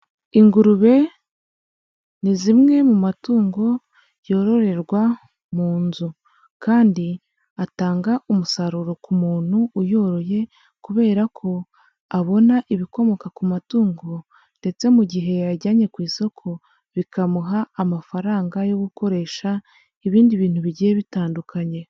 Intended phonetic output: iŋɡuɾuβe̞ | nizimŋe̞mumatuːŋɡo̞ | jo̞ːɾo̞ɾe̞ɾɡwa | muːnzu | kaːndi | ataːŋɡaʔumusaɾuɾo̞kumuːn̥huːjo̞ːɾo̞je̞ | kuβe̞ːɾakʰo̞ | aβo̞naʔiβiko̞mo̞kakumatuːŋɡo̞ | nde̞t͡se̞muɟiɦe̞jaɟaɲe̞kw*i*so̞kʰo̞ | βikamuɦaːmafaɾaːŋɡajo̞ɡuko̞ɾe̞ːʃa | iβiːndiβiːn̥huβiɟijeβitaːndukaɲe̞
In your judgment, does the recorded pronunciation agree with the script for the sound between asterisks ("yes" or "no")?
no